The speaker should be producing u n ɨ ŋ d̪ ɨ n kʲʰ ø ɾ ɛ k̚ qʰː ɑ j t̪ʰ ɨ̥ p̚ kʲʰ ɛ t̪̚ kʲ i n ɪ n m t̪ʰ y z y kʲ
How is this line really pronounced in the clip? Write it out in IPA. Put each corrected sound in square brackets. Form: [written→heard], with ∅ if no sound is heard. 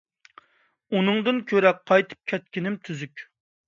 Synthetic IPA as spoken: u n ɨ ŋ d̪ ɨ n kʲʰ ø ɾ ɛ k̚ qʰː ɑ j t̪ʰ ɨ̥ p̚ kʲʰ ɛ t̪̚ kʲ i n ɪ [n→∅] m t̪ʰ y z y kʲ